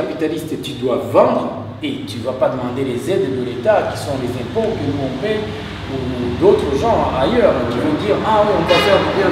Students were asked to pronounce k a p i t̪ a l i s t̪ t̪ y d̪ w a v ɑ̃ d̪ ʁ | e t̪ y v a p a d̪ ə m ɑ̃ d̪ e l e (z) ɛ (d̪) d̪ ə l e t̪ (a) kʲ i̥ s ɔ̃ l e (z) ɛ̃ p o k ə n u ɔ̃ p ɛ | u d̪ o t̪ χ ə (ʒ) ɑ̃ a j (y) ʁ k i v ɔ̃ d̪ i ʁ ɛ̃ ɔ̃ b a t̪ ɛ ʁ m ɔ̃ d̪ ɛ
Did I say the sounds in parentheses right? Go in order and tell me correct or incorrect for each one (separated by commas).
correct, correct, correct, correct, correct, incorrect